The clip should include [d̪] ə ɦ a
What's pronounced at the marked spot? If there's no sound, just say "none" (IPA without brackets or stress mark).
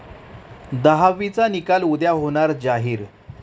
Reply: d̪